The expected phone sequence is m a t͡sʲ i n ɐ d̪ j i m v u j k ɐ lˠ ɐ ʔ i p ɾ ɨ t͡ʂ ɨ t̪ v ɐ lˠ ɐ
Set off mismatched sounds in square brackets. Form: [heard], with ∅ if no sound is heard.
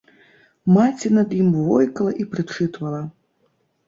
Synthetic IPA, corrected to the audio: m a t͡sʲ i n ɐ d̪ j i m v [ɔ] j k ɐ lˠ ɐ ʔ i p ɾ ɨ t͡ʂ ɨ t̪ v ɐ lˠ ɐ